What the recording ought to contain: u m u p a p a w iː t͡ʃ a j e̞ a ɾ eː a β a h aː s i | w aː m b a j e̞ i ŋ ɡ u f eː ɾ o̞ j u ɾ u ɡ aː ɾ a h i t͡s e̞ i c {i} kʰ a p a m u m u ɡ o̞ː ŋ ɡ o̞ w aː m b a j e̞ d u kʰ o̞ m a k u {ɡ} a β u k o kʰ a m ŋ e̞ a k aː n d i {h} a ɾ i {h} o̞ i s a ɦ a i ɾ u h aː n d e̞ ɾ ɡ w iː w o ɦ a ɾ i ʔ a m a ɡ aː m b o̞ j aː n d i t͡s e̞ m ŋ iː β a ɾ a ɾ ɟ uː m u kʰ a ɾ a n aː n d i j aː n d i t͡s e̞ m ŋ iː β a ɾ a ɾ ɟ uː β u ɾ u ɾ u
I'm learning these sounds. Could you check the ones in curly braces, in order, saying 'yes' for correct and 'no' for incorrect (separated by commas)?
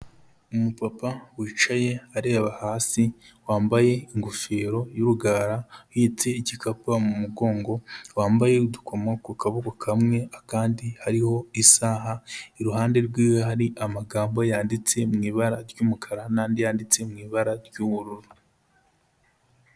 yes, no, yes, yes